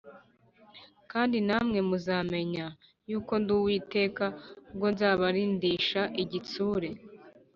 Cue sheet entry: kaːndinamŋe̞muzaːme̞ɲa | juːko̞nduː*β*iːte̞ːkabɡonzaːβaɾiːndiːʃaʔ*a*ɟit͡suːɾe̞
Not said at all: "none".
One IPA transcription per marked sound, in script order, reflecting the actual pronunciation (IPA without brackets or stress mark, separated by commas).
w, i